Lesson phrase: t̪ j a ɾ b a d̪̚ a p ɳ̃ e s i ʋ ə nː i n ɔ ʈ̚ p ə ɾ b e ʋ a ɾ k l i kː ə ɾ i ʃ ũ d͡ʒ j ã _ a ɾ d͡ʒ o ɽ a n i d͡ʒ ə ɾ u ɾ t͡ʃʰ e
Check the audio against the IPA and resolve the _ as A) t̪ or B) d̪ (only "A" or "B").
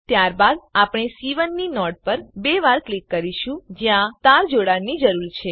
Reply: A